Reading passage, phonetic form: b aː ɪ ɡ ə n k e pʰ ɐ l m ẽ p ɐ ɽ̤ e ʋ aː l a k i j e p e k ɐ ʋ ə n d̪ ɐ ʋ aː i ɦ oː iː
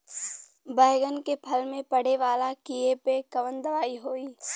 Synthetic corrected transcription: b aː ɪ ɡ ə n k e pʰ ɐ l m ẽ p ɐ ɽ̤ e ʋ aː l a k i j e p e k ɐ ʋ ə n d̪ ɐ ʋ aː i ɦ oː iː